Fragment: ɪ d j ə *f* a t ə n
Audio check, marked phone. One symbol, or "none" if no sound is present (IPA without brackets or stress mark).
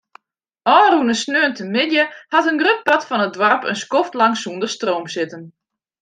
h